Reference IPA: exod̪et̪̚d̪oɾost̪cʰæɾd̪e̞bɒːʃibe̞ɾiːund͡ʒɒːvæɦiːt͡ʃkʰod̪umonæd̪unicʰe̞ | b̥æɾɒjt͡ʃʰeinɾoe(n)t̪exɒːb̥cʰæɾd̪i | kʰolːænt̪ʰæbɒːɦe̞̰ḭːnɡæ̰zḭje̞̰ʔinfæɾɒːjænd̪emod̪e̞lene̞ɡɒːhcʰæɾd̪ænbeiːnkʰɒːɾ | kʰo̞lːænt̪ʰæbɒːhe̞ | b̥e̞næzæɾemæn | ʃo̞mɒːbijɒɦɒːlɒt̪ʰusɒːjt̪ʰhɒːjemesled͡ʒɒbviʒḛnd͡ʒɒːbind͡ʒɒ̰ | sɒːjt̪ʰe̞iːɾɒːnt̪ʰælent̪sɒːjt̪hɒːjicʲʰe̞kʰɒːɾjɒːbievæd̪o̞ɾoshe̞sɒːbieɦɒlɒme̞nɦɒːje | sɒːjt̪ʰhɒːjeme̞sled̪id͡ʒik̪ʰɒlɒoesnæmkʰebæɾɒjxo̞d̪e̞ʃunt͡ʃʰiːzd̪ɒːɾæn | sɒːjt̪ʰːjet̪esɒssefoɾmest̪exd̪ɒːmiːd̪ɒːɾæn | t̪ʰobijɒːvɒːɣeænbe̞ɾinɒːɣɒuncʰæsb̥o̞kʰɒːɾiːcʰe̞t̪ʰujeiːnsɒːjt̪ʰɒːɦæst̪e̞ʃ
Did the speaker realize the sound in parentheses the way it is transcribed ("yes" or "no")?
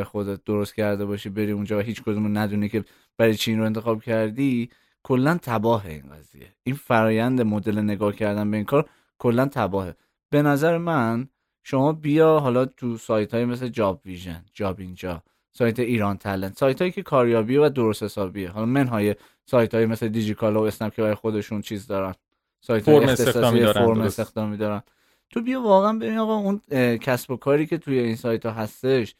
yes